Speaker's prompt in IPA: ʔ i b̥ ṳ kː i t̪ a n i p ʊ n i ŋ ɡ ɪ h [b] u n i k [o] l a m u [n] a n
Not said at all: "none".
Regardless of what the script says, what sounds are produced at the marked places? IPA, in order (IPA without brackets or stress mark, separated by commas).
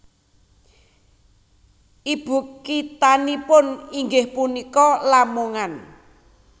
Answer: p, ɔ, ŋ